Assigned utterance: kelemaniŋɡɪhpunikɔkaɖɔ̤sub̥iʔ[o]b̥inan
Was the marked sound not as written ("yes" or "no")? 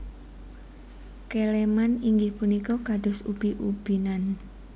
yes